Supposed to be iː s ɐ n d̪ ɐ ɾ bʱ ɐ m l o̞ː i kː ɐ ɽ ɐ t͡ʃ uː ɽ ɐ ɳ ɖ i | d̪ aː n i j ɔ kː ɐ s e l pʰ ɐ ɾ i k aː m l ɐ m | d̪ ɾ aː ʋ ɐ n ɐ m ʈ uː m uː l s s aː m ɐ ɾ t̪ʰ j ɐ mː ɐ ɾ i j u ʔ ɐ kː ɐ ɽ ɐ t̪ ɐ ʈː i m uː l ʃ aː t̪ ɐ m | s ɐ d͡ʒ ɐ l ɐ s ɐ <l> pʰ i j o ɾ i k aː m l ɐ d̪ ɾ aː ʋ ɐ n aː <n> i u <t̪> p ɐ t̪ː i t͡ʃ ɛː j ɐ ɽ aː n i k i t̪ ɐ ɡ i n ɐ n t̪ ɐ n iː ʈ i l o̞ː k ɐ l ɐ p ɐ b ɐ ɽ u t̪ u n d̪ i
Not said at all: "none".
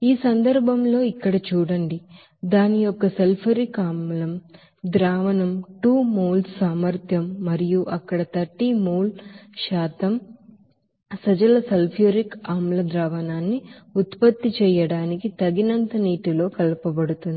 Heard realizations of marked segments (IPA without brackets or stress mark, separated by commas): l, nː, t̪